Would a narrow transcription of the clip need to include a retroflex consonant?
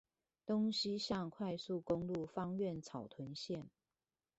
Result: no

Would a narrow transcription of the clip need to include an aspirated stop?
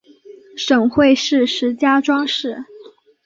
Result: no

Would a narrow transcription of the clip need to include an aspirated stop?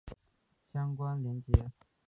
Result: no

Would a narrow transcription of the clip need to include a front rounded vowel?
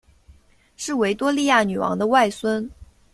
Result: yes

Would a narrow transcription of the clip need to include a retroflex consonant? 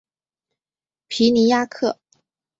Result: no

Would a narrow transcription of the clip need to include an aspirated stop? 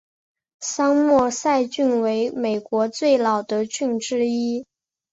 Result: no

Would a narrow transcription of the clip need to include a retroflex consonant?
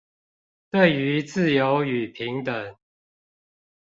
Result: no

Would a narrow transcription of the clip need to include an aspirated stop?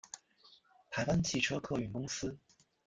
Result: yes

